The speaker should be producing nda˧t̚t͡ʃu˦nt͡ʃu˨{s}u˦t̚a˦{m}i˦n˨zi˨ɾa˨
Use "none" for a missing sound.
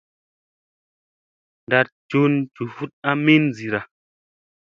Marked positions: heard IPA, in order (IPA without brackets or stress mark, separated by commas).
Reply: f, m